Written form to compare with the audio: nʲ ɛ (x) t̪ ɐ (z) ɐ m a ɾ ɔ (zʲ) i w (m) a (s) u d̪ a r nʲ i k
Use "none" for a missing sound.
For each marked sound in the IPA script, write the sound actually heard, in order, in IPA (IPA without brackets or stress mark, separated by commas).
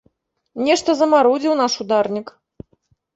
ʂ, z, d͡zʲ, n, ʂ